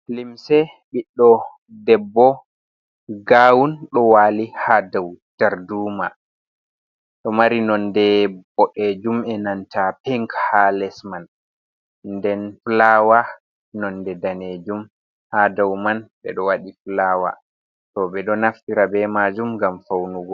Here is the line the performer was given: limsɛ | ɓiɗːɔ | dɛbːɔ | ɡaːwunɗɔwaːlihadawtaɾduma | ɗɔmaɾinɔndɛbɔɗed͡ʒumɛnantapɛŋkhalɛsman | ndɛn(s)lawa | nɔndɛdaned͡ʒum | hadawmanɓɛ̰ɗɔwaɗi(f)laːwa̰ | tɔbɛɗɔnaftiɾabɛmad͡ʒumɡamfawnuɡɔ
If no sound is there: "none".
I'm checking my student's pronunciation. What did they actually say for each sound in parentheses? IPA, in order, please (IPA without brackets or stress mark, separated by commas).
f, f